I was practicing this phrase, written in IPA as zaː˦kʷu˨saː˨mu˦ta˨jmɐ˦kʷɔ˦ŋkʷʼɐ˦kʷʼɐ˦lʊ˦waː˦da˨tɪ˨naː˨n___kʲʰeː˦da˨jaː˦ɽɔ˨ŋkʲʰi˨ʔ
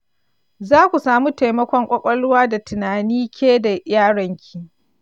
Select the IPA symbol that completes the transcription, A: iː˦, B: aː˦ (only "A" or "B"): A